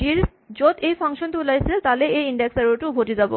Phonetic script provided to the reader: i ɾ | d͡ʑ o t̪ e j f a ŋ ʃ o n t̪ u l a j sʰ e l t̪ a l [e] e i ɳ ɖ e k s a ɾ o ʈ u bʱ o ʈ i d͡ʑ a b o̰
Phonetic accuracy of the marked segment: correct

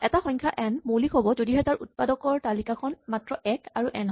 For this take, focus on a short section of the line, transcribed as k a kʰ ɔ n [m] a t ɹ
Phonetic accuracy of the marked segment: correct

